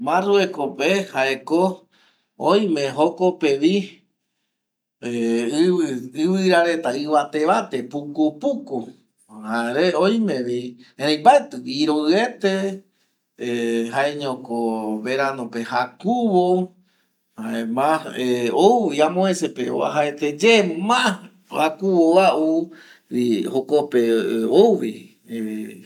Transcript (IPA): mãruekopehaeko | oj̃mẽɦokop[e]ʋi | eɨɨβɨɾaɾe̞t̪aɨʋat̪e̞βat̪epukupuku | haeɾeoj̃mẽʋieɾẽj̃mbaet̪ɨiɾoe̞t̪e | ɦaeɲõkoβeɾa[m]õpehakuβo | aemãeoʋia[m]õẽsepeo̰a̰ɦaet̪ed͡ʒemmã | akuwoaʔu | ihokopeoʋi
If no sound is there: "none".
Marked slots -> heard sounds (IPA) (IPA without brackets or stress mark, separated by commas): e, n, m